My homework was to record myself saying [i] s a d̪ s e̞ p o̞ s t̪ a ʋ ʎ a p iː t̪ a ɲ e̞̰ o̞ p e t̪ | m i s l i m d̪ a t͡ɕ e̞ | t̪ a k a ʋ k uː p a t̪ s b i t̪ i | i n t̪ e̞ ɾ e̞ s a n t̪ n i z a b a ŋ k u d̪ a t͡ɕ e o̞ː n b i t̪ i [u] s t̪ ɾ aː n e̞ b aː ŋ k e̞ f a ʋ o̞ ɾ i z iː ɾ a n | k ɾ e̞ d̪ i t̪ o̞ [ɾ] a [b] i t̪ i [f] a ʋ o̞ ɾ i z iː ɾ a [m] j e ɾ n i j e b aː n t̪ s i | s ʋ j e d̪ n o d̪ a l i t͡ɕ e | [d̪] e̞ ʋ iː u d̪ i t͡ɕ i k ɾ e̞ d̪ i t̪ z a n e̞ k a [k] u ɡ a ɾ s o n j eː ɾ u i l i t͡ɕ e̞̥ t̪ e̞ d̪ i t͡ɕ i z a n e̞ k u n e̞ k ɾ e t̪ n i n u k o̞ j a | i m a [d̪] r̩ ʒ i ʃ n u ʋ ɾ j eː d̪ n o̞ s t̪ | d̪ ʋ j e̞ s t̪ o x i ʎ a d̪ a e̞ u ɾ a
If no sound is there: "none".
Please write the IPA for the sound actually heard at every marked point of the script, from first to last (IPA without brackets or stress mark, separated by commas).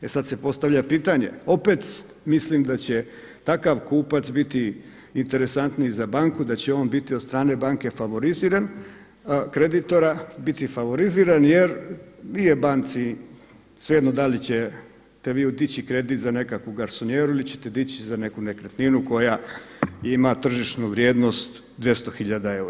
e, o, ɾ, b, f, n, t̪, k, t̪